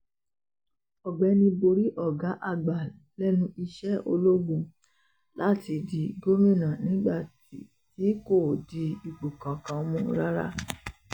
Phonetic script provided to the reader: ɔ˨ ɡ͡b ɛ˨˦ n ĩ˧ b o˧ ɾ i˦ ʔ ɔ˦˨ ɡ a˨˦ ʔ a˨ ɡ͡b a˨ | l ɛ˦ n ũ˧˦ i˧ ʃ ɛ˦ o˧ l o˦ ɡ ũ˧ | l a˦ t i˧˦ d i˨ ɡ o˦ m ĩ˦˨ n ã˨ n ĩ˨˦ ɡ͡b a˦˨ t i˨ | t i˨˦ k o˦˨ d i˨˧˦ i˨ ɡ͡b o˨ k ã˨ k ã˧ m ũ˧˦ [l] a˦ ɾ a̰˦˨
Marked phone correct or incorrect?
incorrect